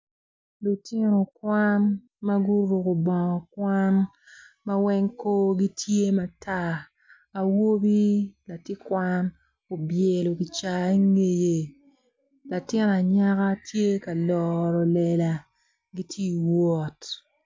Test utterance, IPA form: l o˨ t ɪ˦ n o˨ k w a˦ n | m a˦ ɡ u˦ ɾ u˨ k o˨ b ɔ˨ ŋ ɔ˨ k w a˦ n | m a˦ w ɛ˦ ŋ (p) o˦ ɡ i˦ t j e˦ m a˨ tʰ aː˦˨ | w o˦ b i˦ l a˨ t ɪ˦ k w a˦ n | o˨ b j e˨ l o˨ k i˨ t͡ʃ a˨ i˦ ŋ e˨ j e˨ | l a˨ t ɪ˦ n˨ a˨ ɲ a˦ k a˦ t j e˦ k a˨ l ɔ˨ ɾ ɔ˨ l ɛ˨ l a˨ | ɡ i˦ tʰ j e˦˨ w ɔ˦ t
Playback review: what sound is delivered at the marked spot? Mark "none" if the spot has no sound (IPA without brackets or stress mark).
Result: k